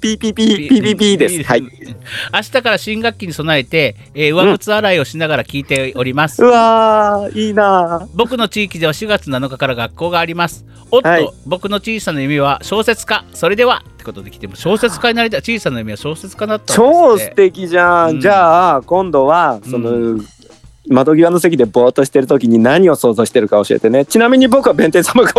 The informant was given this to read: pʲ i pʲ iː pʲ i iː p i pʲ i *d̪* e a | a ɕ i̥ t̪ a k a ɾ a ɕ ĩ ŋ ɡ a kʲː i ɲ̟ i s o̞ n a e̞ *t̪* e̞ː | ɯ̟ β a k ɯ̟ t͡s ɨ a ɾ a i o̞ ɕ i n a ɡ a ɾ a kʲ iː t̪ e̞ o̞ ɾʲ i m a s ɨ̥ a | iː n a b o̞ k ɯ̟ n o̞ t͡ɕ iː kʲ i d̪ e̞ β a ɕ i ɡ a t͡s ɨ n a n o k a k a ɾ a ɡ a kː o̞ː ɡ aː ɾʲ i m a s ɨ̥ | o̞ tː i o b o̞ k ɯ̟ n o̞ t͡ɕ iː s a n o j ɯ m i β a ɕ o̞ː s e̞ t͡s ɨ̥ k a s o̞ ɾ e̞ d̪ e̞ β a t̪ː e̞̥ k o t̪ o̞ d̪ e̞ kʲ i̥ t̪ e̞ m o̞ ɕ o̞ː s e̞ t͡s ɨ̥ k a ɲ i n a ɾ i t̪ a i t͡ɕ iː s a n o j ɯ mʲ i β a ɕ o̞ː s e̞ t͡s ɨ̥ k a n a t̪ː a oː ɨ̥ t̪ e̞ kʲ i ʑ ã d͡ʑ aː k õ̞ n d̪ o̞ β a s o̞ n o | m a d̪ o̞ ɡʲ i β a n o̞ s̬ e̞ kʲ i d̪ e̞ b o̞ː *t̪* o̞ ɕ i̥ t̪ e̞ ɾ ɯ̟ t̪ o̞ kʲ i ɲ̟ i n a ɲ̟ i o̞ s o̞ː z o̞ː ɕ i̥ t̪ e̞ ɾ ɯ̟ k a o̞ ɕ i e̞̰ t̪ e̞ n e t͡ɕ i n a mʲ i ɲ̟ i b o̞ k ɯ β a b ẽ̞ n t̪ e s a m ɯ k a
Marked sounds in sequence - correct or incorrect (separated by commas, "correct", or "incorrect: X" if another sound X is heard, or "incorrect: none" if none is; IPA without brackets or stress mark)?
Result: correct, correct, correct